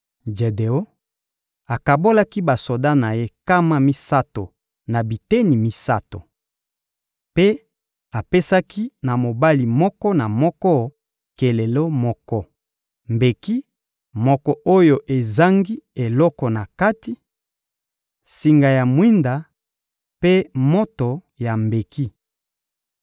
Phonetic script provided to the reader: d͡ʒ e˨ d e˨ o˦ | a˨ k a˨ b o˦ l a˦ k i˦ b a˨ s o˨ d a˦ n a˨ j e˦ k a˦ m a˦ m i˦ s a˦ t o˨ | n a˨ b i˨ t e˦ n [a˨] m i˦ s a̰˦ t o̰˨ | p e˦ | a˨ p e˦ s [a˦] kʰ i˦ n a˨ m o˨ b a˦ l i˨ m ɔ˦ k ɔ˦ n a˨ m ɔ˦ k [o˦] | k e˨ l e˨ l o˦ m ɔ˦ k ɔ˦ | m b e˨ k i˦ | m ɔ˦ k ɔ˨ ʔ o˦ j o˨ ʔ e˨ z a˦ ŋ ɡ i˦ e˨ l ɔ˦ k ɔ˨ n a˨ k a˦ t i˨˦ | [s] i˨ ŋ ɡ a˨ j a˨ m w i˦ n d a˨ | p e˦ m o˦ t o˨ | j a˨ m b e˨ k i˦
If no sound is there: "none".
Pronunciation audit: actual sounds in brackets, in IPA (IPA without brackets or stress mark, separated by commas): i˨, a˦, ɔ˦, s